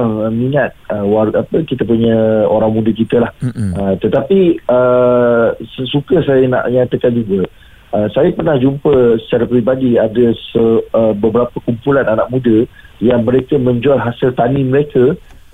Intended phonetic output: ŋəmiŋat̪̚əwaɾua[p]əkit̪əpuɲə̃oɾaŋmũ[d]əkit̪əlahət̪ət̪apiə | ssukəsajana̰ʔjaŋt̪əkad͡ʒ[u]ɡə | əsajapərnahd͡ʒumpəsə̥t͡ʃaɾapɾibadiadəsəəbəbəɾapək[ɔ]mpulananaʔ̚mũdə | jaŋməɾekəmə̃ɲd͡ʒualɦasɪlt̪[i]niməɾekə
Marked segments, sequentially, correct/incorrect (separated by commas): correct, correct, correct, incorrect, incorrect